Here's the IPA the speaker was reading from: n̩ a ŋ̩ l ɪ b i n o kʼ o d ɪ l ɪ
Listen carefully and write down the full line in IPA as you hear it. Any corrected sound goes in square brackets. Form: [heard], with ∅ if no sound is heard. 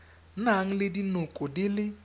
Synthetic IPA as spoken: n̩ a ŋ̩ l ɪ [d] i n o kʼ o d ɪ l ɪ